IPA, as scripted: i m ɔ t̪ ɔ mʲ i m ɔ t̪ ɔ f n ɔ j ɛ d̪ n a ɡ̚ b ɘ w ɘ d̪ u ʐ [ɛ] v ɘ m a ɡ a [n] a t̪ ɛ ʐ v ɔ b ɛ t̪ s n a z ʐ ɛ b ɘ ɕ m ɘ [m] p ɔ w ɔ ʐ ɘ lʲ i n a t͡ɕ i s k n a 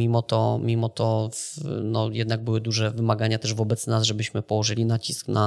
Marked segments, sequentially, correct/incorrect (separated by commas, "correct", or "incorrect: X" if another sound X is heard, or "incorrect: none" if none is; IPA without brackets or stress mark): correct, incorrect: ɲ, incorrect: none